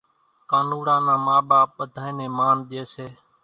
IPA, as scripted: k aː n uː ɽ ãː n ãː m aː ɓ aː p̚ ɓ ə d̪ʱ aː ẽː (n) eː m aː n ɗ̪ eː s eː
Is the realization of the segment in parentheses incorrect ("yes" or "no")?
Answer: no